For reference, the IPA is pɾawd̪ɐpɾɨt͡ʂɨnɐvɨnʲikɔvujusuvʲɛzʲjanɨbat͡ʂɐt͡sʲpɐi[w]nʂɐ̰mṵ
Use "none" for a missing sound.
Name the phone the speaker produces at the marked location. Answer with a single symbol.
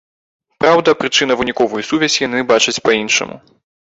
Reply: none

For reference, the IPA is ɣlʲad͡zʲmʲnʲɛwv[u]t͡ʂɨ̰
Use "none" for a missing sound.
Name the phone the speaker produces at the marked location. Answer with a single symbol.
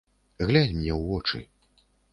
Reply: ɔ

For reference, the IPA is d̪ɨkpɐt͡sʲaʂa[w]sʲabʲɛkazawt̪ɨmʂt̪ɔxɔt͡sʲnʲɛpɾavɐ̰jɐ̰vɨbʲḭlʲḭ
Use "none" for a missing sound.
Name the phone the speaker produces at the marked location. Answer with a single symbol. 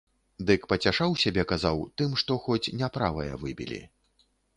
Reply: w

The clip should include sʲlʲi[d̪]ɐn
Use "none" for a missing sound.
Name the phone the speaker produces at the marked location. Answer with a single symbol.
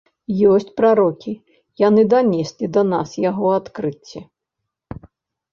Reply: d̪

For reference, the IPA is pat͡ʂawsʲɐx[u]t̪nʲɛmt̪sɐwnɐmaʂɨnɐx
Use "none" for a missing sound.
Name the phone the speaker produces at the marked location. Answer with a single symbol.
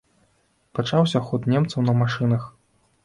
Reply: ɔ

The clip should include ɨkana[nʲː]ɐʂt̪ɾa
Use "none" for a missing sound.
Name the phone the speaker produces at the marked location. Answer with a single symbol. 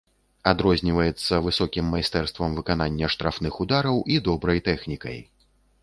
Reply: nʲː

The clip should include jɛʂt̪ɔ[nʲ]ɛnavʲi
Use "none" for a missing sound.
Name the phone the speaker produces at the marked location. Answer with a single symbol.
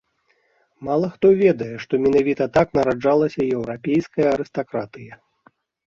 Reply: mʲ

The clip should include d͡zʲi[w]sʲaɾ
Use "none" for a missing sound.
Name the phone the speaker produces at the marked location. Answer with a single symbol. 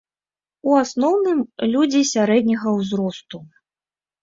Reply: none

